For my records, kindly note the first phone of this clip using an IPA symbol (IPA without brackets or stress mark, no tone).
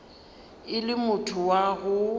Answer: ɪ